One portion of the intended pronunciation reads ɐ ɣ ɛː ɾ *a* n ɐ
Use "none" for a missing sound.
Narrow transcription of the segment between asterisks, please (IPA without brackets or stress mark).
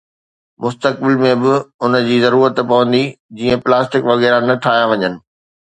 a